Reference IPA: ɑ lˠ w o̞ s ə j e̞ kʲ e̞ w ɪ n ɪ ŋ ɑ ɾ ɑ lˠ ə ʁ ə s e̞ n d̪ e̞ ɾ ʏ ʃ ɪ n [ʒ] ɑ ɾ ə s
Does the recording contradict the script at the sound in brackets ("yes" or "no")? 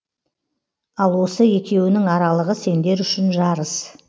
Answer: no